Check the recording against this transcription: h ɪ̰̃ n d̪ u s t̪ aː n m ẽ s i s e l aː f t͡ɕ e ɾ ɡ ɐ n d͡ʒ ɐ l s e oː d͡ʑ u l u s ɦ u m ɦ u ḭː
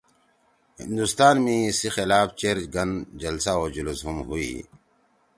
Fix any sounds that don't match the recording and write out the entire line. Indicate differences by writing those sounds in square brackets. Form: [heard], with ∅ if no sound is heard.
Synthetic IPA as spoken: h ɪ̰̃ n d̪ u s t̪ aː n m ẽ s i [x] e l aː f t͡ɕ e ɾ ɡ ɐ n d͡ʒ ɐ l s [a] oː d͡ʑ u l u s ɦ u m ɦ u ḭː